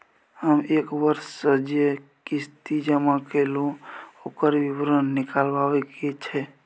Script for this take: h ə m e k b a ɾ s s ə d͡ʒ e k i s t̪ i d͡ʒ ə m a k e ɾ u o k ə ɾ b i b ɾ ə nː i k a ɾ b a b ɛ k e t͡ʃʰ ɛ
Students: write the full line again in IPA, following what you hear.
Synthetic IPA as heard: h ə m e k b ə ɾ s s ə d͡ʒ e k i s t̪ i d͡ʒ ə m a k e l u o k ə ɾ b i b ɾ ə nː i k a l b a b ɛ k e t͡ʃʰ ɛ